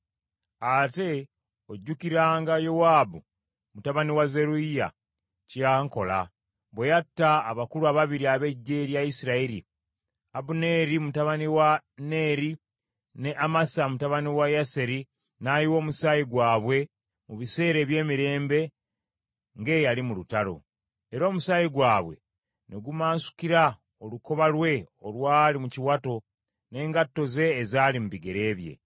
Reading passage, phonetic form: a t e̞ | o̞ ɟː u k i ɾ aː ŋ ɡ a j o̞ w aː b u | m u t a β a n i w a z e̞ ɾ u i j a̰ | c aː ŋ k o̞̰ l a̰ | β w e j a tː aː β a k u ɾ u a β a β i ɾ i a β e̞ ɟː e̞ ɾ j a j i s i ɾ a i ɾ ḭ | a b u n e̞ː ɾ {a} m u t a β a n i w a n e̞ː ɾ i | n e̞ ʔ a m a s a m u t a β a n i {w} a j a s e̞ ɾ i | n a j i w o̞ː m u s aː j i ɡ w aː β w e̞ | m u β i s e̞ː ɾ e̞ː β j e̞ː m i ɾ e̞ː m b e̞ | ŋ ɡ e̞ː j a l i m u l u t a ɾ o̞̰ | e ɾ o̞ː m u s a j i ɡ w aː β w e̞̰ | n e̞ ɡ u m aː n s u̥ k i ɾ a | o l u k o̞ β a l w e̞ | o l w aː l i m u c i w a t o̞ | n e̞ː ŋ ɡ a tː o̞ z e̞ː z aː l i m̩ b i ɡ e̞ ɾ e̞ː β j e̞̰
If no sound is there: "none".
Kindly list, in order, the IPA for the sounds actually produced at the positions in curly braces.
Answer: i, w

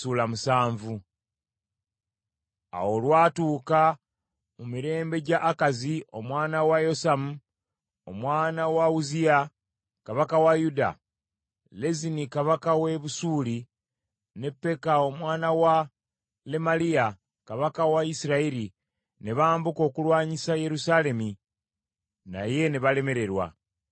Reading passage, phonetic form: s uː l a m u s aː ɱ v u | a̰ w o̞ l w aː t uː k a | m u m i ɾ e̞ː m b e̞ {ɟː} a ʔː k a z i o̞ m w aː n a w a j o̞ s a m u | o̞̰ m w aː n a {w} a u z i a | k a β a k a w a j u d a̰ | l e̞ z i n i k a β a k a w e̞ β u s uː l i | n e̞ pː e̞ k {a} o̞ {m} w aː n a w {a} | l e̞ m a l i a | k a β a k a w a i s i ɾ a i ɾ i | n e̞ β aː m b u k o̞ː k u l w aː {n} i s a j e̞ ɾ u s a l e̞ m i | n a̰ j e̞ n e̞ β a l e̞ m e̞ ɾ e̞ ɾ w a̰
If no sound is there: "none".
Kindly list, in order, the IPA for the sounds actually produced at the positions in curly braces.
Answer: ɟ, w, a, m, a, ɲ

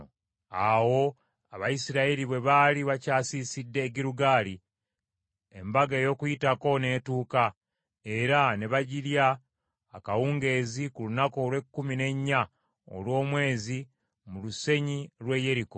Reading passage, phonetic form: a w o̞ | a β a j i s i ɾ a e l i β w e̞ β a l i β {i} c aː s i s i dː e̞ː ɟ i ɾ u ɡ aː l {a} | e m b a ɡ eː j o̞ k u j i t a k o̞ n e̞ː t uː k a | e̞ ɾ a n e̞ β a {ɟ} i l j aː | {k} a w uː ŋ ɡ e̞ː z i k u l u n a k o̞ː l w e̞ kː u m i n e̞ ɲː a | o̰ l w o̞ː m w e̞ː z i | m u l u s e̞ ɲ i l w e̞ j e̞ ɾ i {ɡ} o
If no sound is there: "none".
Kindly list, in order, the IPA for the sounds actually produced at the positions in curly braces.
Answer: a, i, ɟ, k, k

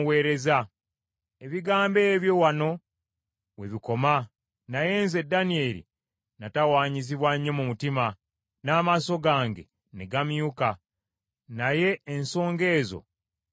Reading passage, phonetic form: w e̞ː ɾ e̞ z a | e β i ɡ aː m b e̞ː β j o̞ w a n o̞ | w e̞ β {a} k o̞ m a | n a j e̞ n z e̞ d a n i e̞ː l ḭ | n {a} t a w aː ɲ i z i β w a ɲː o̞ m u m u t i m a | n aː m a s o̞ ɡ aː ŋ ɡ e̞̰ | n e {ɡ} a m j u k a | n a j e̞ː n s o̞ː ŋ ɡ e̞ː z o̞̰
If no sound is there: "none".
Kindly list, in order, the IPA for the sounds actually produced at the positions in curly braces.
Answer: i, a, ɡ

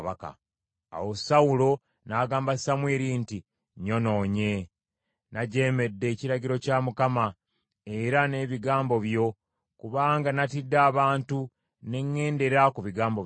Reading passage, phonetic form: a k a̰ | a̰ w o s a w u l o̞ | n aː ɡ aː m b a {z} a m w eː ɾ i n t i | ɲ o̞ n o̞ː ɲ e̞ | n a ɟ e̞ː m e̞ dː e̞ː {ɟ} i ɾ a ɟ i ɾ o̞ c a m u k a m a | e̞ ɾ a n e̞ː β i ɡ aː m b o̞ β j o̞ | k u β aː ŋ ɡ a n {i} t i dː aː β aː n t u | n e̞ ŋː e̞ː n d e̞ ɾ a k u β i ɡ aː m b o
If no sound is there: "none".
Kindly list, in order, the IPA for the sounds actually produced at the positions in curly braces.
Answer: s, c, a

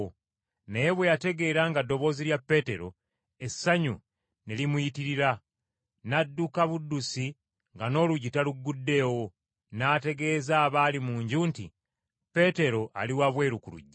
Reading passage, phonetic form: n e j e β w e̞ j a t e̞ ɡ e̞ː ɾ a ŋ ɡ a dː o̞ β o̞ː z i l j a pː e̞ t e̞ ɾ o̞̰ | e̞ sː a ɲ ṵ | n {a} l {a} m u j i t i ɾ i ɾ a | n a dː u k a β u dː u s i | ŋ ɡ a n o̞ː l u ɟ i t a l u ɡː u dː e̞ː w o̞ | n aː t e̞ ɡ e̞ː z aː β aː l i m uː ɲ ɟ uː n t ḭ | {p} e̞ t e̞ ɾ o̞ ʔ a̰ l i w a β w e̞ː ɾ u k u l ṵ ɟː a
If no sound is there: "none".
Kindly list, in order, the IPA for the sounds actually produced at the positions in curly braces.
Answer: e, i, p

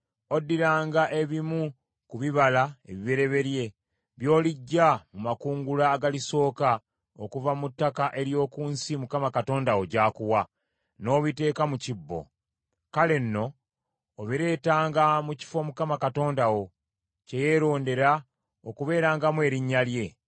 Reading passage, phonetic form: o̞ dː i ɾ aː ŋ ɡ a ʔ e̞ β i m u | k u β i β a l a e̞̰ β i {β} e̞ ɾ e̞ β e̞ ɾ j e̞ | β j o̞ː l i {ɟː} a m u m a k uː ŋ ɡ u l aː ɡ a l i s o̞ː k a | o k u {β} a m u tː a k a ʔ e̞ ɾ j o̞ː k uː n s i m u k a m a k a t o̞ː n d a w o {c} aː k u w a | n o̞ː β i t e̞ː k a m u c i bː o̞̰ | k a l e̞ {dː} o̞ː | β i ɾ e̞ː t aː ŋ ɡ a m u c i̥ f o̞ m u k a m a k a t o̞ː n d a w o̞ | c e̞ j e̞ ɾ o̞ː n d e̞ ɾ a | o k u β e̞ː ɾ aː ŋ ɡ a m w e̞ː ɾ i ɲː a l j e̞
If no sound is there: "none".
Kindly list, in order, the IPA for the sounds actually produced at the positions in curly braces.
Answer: β, ɟː, v, ɟ, nː

